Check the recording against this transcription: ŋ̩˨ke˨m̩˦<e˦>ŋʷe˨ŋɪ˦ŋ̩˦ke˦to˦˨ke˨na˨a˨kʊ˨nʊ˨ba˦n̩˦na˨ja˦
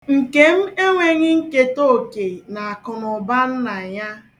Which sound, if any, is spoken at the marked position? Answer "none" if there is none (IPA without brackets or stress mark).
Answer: e˦